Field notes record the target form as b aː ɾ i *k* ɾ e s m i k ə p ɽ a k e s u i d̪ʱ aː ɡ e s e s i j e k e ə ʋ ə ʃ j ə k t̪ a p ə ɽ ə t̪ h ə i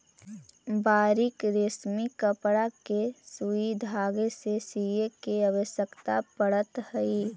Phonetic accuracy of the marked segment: correct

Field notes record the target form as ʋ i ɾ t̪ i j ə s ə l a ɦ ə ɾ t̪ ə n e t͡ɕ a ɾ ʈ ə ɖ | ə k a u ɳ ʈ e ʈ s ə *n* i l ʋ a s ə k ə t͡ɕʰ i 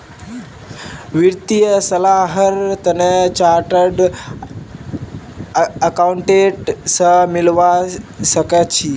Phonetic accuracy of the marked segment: incorrect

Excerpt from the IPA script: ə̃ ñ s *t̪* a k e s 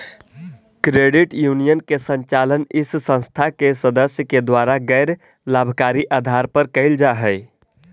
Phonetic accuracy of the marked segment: incorrect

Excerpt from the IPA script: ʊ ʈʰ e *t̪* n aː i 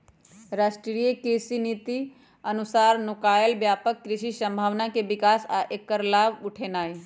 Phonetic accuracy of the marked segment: incorrect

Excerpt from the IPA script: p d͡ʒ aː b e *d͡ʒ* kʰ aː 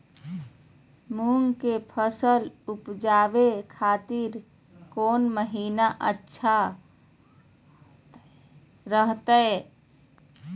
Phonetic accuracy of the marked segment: incorrect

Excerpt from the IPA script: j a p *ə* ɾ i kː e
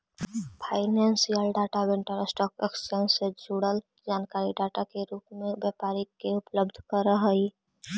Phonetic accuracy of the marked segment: incorrect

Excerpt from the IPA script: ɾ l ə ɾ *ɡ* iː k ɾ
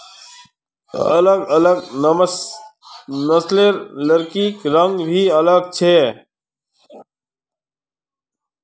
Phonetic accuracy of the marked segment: incorrect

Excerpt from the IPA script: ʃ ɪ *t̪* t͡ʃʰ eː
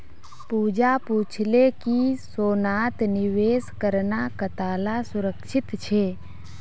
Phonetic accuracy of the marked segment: correct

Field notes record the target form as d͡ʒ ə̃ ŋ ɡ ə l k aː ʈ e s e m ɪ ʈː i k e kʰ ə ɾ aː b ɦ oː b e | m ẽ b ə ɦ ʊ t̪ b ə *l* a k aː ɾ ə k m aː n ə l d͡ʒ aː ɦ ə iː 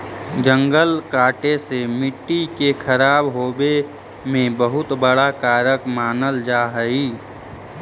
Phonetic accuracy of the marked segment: incorrect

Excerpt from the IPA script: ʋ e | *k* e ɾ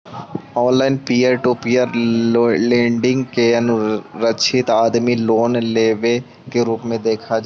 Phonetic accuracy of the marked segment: correct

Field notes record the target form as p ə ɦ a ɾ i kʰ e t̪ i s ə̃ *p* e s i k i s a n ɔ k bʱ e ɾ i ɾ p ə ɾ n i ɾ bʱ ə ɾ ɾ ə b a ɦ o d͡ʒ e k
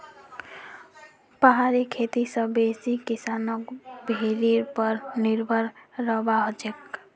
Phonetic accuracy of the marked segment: incorrect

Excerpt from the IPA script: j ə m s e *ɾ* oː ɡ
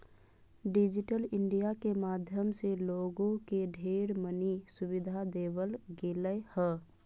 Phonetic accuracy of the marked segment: incorrect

